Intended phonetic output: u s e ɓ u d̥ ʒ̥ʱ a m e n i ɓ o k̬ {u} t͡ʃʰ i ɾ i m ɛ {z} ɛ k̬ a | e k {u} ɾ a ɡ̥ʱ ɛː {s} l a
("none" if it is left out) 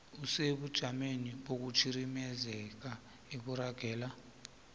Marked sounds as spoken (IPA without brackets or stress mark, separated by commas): u, z, u, none